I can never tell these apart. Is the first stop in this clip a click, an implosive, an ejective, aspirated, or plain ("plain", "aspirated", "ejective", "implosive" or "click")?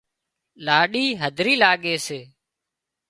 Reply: implosive